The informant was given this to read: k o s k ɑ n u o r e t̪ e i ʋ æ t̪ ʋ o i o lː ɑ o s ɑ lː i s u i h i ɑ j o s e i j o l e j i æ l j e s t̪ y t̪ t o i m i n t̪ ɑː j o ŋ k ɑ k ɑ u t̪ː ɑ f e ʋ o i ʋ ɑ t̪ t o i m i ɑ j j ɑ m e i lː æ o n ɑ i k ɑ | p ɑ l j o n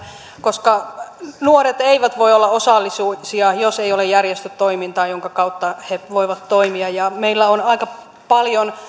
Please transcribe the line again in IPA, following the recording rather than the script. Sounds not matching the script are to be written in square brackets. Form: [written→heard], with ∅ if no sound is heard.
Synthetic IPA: k o s k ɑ n u o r e t̪ e i ʋ æ t̪ ʋ o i o lː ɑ o s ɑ lː i s u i [h→s] i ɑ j o s e i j o l e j [i→j] æ [l→r] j e s t̪ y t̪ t o i m i n t̪ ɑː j o ŋ k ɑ k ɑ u t̪ː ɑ [f→h] e ʋ o i ʋ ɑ t̪ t o i m i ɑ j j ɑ m e i lː æ o n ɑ i k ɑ | p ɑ l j o n